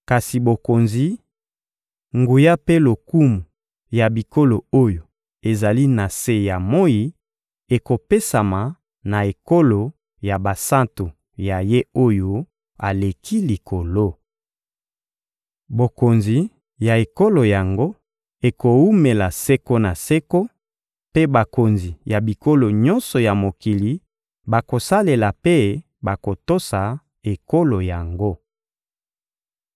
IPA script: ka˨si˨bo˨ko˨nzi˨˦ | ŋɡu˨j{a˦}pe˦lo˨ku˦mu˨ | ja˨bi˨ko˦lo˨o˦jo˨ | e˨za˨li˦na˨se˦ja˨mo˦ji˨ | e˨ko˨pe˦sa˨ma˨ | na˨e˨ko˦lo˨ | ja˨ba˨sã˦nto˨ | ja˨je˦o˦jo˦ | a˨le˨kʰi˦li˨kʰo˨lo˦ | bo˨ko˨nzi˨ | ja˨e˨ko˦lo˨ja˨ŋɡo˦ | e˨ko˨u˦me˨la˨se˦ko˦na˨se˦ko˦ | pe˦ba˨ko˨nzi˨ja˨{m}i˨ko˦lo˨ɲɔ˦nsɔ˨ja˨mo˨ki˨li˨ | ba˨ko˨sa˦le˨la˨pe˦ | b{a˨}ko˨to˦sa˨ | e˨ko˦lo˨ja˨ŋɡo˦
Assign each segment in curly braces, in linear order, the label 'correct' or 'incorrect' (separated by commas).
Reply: correct, incorrect, correct